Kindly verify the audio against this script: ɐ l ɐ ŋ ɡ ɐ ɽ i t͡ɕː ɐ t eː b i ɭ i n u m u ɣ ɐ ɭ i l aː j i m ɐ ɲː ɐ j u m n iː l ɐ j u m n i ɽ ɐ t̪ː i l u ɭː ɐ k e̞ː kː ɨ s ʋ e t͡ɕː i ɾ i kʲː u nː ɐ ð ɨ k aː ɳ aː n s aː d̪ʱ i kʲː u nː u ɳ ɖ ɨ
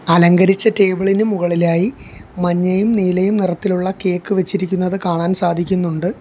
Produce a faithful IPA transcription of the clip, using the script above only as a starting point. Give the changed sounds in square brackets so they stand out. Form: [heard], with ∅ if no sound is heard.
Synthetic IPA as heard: ɐ l ɐ ŋ ɡ ɐ [ɾ] i t͡ɕː ɐ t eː b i ɭ i n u m u ɣ ɐ ɭ i l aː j i m ɐ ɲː ɐ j u m n iː l ɐ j u m n i [r] ɐ t̪ː i l u ɭː ɐ k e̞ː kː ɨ [∅] ʋ e t͡ɕː i ɾ i kʲː u nː ɐ ð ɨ k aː ɳ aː n s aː d̪ʱ i kʲː u nː u ɳ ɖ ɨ

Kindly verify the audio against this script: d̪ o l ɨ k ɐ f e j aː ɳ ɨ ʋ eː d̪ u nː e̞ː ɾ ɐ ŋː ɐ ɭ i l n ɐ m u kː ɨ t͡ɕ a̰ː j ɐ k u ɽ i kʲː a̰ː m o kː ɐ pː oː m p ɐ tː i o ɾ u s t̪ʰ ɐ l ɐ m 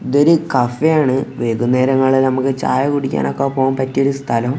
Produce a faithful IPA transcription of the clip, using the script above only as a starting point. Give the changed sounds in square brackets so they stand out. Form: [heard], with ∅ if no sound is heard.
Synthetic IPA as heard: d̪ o [ɾ] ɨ k ɐ f e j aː ɳ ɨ ʋ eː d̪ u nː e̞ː ɾ ɐ ŋː ɐ ɭ i l n ɐ m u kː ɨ t͡ɕ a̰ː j ɐ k u ɽ i kʲː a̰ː [n] o kː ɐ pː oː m p ɐ tː i o ɾ u s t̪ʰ ɐ l ɐ m

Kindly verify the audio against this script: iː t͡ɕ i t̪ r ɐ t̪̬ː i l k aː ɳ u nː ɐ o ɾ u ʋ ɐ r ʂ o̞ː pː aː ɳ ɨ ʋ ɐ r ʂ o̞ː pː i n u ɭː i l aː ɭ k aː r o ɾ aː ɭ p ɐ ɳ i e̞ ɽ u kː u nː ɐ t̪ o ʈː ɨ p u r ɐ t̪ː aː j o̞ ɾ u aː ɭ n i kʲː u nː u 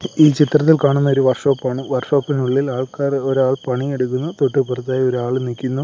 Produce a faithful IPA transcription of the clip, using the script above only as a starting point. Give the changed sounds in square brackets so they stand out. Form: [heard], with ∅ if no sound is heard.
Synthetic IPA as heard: iː t͡ɕ i t̪ r ɐ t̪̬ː i l k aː ɳ u nː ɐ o ɾ u ʋ ɐ r ʂ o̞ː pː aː ɳ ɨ ʋ ɐ r ʂ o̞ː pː i n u ɭː i l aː ɭ k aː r o ɾ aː ɭ p ɐ ɳ i e̞ ɽ u kː u nː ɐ t̪ o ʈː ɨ p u r ɐ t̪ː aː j o̞ ɾ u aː ɭ n i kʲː u nː u

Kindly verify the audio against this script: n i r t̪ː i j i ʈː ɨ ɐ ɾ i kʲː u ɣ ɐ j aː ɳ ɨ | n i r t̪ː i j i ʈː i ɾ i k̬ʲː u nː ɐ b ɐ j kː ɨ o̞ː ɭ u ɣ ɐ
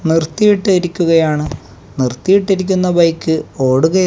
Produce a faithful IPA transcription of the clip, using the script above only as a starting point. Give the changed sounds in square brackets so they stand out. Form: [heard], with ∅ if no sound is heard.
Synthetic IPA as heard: n i r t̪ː i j i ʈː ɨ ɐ ɾ i kʲː u ɣ ɐ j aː ɳ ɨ | n i r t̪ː i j i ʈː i ɾ i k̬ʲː u nː ɐ b ɐ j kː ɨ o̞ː [ɽ] u ɣ ɐ

